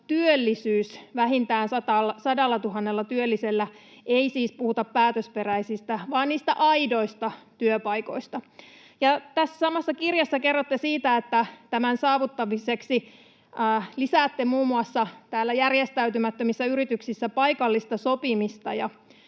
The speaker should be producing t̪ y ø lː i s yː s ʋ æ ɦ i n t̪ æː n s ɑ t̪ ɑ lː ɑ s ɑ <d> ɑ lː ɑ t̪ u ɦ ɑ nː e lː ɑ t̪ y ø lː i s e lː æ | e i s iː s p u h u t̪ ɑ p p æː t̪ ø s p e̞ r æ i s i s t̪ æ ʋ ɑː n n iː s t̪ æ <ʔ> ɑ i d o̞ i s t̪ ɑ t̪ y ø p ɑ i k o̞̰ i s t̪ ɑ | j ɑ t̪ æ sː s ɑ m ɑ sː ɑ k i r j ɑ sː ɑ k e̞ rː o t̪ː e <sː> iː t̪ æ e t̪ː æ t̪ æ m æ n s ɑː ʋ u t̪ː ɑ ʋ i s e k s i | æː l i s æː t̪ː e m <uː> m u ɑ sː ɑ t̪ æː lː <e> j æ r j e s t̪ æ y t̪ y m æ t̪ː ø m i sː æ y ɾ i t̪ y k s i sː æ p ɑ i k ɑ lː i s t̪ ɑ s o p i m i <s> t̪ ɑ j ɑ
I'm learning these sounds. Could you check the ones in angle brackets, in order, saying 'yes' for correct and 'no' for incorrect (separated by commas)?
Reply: yes, yes, no, yes, no, yes